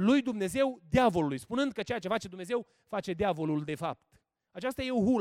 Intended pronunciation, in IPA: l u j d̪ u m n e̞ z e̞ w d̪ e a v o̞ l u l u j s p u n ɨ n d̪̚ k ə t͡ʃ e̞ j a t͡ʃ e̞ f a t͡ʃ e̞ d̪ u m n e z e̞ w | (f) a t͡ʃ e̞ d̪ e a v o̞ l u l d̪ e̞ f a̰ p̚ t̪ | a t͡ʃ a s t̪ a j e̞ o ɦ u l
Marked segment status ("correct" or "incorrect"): correct